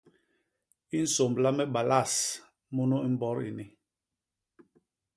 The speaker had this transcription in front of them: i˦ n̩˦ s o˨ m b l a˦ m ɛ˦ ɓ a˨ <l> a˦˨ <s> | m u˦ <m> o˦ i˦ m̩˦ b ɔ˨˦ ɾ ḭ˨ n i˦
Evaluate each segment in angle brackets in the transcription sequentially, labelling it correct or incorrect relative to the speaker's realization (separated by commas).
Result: correct, correct, incorrect